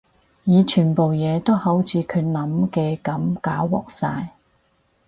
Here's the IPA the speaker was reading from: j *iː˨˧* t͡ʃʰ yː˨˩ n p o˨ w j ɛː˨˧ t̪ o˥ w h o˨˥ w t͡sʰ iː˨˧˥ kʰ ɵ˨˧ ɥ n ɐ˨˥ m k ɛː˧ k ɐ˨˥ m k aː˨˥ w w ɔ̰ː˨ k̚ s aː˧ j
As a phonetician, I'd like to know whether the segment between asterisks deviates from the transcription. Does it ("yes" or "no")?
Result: no